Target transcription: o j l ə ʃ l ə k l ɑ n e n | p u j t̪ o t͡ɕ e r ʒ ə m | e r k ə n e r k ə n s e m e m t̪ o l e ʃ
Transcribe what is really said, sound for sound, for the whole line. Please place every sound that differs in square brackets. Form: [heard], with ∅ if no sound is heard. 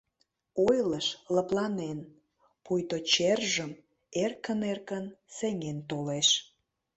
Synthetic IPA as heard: o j l ə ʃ l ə [p] l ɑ n e n | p u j t̪ o t͡ɕ e r ʒ ə m | e r k ə n e r k ə n s e [ŋ] e [n] t̪ o l e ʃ